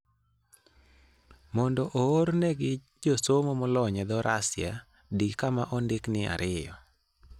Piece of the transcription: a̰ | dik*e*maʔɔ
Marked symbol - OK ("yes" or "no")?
no